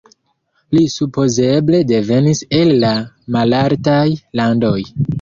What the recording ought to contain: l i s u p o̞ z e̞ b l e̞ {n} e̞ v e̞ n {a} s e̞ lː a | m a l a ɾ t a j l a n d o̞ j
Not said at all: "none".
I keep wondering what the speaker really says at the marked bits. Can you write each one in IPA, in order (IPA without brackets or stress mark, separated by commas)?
d, i